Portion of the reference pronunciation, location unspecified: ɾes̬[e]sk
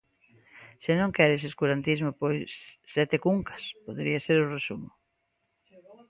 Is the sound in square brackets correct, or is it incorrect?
correct